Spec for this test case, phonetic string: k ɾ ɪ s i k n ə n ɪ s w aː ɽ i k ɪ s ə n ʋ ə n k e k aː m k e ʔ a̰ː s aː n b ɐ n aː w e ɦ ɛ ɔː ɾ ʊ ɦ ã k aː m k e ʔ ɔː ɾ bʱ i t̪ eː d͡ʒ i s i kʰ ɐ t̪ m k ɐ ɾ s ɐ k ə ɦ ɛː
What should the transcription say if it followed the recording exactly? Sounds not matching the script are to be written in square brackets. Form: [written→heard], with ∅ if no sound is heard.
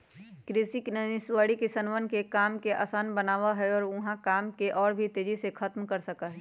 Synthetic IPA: k ɾ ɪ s i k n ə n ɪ s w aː ɽ i k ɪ s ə n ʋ ə n k e k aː m k e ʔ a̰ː s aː n b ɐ n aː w [e→a] ɦ ɛ ɔː ɾ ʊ ɦ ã k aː m k e ʔ ɔː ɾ bʱ i t̪ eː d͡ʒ i s [i→e] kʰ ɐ t̪ m k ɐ ɾ s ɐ k [ə→a] ɦ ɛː

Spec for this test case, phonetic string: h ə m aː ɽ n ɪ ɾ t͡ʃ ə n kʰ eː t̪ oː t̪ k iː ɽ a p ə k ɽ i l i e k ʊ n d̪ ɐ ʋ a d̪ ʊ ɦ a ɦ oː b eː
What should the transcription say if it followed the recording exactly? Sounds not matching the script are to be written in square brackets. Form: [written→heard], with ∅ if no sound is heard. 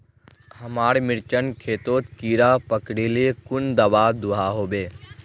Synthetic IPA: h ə m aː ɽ [n→m] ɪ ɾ t͡ʃ ə n kʰ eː t̪ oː t̪ k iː [ɽ→ɾ] a p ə k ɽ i l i e k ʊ n d̪ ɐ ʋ a d̪ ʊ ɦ a ɦ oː b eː

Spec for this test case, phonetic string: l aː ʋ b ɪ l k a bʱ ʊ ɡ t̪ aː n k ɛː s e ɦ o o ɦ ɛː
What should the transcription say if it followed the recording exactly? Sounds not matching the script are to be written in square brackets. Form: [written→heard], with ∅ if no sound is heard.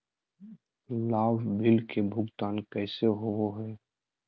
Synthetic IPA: l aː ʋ b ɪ l k [a→e] bʱ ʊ ɡ t̪ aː n k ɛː s e ɦ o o ɦ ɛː

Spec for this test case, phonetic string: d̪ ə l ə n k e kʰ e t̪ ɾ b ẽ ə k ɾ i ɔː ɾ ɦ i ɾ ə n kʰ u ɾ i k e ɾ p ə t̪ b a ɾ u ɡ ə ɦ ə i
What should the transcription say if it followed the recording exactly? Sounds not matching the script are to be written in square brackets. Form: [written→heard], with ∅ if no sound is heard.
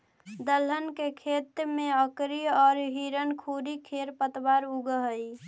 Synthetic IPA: d̪ ə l ə n k e kʰ e t̪ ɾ [b→m] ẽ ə k ɾ i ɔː ɾ ɦ i ɾ ə n kʰ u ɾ i [k→kʰ] e ɾ p ə t̪ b a ɾ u ɡ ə ɦ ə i

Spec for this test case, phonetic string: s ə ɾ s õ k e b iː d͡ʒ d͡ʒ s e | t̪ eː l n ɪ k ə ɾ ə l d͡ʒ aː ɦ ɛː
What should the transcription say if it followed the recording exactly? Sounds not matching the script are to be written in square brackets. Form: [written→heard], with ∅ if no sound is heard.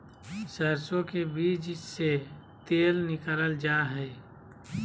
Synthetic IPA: s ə ɾ s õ k e b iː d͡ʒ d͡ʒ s e | t̪ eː l n ɪ k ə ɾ ə l d͡ʒ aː ɦ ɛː

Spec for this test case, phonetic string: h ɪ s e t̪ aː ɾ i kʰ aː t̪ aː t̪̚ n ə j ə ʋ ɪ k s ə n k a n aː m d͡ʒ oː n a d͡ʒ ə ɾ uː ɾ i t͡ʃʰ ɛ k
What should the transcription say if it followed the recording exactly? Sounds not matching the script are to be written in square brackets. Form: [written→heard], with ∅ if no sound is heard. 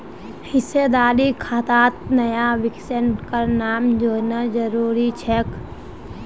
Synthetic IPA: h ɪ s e [t̪→d̪] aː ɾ i kʰ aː t̪ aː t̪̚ n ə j [ə→a] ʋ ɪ k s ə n k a n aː m d͡ʒ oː n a d͡ʒ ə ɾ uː ɾ i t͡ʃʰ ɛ k

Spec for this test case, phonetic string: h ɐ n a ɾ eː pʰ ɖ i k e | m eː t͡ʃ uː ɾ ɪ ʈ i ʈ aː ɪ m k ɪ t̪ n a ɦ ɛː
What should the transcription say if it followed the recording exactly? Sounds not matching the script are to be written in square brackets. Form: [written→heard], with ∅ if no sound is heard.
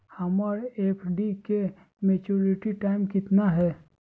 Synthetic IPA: h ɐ [n→m] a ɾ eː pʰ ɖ i k e | m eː t͡ʃ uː ɾ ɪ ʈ i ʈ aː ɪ m k ɪ t̪ n a ɦ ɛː

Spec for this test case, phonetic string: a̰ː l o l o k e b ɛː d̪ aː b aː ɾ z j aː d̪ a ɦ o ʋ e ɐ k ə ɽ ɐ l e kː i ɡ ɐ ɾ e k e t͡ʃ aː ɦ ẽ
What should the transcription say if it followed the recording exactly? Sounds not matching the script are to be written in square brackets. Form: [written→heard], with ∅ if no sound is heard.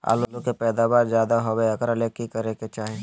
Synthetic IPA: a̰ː l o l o k e [b→p] ɛː d̪ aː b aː ɾ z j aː d̪ a ɦ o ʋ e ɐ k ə [ɽ→ɾ] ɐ l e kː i [ɡ→k] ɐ ɾ e k e t͡ʃ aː ɦ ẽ

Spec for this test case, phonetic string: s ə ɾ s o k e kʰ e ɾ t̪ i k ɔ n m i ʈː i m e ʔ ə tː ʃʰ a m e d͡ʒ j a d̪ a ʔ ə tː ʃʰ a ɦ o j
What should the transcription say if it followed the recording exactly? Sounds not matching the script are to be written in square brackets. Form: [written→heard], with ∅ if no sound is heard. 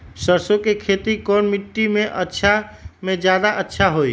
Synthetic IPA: s ə ɾ s o k e kʰ e [ɾ→∅] t̪ i k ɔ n m i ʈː i m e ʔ ə tː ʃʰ a m e d͡ʒ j a d̪ a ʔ ə tː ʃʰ a ɦ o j

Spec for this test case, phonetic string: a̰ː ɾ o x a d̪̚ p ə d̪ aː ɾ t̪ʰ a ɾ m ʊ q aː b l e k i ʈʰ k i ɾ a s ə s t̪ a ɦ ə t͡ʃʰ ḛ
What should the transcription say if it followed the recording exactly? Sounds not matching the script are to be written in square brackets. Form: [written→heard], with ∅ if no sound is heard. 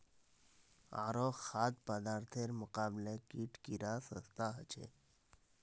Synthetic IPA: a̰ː ɾ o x a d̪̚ p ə d̪ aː ɾ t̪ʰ [a→e] ɾ m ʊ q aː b l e k i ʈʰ k i ɾ a s ə s t̪ a ɦ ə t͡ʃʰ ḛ

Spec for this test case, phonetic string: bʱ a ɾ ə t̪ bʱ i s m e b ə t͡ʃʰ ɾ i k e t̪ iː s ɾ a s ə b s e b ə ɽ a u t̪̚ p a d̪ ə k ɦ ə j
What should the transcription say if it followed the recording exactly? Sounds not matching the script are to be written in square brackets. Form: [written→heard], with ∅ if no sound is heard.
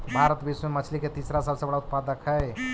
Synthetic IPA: bʱ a ɾ ə t̪ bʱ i s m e [b→m] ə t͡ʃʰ [ɾ→l] i k e t̪ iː s ɾ a s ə b s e b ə ɽ a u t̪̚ p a d̪ ə k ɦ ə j

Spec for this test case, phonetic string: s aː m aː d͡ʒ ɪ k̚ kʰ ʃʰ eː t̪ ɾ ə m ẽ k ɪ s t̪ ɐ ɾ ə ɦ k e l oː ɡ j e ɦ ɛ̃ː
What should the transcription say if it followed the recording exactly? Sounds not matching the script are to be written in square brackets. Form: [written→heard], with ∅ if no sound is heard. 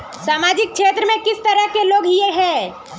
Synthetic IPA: s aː m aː d͡ʒ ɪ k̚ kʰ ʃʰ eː t̪ ɾ ə m ẽ k ɪ s t̪ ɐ ɾ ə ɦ k e l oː ɡ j e ɦ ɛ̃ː

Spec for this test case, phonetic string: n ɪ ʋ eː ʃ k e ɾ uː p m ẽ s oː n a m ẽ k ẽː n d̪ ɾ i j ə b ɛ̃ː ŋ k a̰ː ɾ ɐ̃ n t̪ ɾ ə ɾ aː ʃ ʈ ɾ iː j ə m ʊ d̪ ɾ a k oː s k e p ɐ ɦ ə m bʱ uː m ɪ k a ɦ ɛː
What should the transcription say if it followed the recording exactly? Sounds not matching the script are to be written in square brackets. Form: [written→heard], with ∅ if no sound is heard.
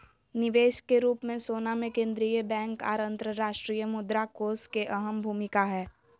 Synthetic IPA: n ɪ ʋ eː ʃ k e ɾ uː p m ẽ s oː n a m ẽ k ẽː n d̪ ɾ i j ə b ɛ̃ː ŋ k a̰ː ɾ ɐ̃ n t̪ ɾ ə ɾ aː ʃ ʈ ɾ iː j ə m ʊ d̪ ɾ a k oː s k e [p→ʔ] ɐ ɦ ə m bʱ uː m ɪ k a ɦ ɛː

